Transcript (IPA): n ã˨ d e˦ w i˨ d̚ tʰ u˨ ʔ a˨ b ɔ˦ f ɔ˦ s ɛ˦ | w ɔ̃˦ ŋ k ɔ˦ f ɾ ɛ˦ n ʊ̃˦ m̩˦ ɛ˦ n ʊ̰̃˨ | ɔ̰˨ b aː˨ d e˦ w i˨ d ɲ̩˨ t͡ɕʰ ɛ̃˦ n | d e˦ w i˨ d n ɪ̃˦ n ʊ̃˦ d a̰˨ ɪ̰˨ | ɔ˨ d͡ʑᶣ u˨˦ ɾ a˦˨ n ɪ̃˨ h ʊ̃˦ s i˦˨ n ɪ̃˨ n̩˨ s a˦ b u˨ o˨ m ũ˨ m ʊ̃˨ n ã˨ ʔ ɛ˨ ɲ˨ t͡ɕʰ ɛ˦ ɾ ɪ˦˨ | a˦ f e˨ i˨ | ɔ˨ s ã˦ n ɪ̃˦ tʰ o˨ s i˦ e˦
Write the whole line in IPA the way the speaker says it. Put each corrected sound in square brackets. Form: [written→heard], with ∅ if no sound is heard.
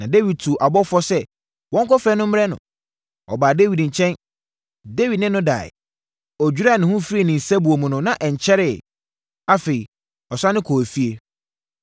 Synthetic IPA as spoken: n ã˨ d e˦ w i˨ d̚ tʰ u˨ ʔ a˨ b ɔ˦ f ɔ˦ s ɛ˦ | w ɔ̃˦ ŋ k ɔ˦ f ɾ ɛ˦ n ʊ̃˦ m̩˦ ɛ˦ n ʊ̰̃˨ | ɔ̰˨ b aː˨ d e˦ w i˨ d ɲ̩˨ t͡ɕʰ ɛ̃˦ n | d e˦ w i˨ d n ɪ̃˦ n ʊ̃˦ d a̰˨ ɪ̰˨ | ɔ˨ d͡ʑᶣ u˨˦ ɾ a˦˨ n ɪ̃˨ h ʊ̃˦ [s→f] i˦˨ n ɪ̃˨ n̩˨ s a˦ b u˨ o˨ m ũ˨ [m→n] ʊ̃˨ n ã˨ ʔ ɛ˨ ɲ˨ t͡ɕʰ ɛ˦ ɾ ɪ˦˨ | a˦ f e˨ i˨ | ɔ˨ s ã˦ n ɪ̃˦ [tʰ→kʰ] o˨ [s→f] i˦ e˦

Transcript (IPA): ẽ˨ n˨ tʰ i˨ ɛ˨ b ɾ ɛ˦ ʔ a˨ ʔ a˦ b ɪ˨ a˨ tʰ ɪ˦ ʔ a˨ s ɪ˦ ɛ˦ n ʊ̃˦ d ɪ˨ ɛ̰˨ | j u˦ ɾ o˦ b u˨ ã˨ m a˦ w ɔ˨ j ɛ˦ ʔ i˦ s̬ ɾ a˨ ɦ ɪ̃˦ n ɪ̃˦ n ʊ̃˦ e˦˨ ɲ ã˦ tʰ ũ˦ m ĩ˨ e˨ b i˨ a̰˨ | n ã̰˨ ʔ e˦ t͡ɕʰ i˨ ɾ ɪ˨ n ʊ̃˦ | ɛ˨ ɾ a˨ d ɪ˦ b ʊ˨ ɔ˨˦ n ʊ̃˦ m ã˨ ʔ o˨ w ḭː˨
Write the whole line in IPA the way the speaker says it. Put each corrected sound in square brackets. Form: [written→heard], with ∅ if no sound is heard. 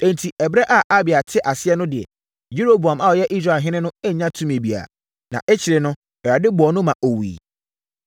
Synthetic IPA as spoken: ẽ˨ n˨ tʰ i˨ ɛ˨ b ɾ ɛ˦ ʔ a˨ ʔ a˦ b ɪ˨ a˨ tʰ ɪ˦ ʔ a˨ s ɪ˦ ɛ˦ n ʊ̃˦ d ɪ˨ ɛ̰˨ | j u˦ ɾ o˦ b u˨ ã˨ m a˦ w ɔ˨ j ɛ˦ ʔ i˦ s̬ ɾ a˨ ɦ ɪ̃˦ n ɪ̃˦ n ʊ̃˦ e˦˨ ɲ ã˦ tʰ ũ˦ m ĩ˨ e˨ b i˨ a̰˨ | n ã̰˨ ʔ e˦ t͡ɕʰ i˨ ɾ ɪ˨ n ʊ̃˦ | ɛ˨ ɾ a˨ d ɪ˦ b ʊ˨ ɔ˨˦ n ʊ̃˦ m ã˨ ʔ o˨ w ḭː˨

